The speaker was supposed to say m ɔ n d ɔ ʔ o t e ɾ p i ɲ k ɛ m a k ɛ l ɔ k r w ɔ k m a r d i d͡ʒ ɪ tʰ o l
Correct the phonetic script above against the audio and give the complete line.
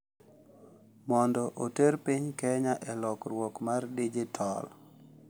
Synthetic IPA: m ɔ n d ɔ ʔ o t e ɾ p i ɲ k ɛ ɲ a ʔ ɛ l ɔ k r w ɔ k m a r d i d͡ʒ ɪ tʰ ɔ l